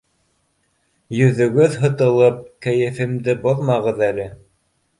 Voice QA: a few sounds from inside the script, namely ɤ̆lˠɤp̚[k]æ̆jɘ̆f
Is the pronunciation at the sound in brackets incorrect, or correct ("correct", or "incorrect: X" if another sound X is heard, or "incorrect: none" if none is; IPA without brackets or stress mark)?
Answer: correct